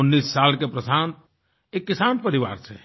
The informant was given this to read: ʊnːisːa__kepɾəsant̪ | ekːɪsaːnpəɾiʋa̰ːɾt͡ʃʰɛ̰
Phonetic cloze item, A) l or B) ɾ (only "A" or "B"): A